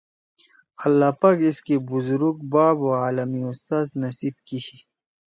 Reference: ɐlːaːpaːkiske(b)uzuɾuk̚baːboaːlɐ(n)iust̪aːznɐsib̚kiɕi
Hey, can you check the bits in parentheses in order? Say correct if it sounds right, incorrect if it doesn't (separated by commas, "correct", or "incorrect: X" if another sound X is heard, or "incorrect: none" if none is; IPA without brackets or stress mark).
correct, incorrect: m